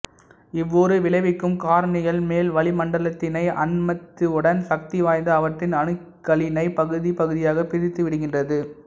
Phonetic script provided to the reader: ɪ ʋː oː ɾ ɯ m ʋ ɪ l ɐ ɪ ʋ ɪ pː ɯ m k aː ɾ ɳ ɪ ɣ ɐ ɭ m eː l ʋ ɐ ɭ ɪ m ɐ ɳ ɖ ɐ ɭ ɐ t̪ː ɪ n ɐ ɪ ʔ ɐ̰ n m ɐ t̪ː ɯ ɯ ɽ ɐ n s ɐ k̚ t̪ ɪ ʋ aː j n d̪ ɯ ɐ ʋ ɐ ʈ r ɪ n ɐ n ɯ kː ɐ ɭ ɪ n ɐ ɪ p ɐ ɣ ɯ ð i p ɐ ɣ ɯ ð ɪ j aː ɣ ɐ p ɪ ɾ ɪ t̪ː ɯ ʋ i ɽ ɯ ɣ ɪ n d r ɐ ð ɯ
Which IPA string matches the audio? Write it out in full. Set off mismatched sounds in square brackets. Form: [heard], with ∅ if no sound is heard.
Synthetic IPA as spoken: ɪ ʋː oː ɾ ɯ [∅] ʋ ɪ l ɐ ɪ ʋ ɪ [kː] ɯ m k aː ɾ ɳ ɪ ɣ ɐ ɭ m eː l ʋ ɐ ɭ ɪ m ɐ ɳ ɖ ɐ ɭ ɐ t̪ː ɪ n ɐ ɪ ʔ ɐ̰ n m ɐ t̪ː ɯ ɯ ɽ ɐ n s ɐ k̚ t̪ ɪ ʋ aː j n d̪ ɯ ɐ ʋ ɐ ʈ r ɪ n ɐ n ɯ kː ɐ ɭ ɪ n ɐ ɪ p ɐ ɣ ɯ ð i p ɐ ɣ ɯ ð ɪ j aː ɣ ɐ p ɪ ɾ ɪ t̪ː ɯ ʋ [ɪ] ɽ ɯ ɣ ɪ n d r ɐ ð ɯ